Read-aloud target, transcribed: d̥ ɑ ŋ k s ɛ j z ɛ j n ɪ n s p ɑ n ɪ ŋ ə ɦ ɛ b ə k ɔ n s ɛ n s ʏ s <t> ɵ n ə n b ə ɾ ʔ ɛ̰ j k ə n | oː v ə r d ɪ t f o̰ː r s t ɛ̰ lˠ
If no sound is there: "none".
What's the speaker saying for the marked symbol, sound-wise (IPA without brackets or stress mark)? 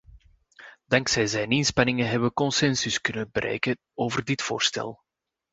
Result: k